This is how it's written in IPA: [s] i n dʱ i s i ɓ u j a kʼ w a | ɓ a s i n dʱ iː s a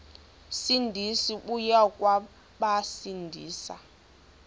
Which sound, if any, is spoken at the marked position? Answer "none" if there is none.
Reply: s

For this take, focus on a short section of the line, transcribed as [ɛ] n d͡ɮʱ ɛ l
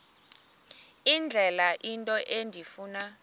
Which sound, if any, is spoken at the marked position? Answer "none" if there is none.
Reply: i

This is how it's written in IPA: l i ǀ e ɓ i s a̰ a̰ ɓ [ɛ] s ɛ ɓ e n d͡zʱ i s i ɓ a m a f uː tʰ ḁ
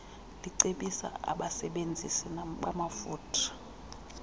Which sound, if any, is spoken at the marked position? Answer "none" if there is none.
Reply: a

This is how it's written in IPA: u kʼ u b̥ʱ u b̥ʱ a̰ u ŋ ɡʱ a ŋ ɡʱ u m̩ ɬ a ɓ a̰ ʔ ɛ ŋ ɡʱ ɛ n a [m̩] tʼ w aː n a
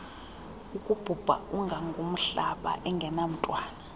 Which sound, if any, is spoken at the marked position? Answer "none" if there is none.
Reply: m̩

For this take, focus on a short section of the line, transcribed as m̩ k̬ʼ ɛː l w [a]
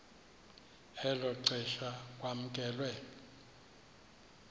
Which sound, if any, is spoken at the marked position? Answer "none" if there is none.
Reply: ɛ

